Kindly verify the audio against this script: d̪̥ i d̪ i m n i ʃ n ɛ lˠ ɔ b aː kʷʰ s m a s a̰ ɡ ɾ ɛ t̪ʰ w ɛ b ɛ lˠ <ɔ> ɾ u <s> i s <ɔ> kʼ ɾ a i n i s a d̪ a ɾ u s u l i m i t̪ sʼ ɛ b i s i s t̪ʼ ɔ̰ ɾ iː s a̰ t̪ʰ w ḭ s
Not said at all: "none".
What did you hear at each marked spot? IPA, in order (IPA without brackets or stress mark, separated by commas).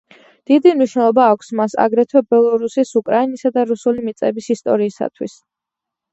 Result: ɔ, s, u